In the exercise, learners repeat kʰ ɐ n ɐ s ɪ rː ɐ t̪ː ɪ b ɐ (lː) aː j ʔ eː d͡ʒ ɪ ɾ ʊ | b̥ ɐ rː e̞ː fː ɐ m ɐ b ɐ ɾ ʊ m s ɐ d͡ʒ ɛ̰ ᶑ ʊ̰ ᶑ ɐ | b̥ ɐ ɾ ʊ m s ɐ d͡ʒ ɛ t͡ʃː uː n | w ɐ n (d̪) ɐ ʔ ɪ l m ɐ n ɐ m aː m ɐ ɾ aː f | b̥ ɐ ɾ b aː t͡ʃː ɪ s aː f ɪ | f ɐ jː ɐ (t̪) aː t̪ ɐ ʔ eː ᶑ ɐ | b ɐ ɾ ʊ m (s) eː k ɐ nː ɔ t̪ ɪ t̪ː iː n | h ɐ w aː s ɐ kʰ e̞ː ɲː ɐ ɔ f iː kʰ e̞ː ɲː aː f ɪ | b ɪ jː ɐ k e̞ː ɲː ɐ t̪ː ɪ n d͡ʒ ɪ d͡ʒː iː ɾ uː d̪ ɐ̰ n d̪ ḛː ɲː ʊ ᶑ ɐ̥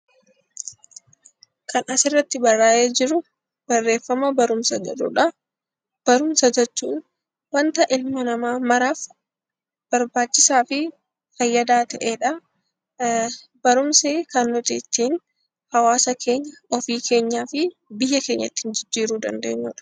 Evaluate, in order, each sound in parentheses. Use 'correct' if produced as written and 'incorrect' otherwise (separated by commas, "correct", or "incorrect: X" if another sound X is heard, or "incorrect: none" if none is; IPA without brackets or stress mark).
incorrect: rː, incorrect: t̪, incorrect: d̪, correct